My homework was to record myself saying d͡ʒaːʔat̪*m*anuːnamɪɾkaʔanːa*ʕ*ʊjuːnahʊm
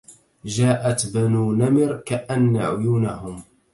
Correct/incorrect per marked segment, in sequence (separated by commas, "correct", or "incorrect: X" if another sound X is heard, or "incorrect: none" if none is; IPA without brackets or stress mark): incorrect: b, correct